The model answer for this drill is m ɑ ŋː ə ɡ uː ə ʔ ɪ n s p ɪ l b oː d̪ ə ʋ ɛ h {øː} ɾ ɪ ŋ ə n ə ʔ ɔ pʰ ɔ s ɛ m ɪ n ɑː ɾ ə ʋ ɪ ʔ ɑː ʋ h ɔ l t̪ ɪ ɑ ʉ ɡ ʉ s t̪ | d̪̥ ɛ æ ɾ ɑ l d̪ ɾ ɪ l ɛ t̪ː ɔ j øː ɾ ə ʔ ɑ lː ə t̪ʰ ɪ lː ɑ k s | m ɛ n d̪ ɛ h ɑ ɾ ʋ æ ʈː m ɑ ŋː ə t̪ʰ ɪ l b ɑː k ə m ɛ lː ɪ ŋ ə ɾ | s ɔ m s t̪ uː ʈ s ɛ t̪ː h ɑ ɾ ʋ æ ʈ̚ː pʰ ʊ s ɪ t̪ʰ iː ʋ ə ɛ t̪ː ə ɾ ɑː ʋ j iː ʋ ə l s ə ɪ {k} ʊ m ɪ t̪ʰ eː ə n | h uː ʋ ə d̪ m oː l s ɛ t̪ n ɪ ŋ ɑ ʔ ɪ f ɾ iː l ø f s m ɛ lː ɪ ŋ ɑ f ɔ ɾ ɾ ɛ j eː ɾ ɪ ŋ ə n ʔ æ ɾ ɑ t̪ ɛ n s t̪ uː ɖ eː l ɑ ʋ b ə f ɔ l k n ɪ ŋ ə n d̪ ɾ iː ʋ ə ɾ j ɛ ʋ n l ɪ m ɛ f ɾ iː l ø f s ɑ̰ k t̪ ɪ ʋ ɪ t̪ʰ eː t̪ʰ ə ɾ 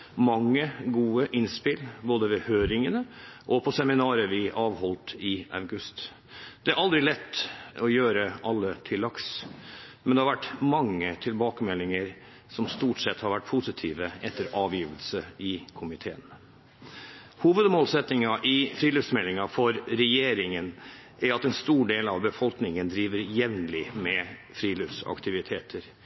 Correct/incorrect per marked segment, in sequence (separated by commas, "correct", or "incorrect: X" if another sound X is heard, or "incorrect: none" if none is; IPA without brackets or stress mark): correct, incorrect: kʰ